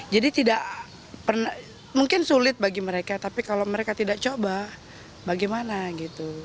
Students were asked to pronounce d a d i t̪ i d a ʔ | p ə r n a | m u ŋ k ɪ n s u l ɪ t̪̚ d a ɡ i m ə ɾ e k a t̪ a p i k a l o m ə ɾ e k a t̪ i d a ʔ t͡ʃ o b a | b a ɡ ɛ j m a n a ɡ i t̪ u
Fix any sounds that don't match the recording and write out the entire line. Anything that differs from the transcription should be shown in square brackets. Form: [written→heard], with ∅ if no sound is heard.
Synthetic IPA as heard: [d→d͡ʒ] a d i t̪ i d a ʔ | p ə r n a | m u ŋ k ɪ n s u l ɪ t̪̚ [d→b] a ɡ i m ə ɾ e k a t̪ a p i k a l o m ə ɾ e k a t̪ i d a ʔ t͡ʃ o b a | b a ɡ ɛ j m a n a ɡ i t̪ u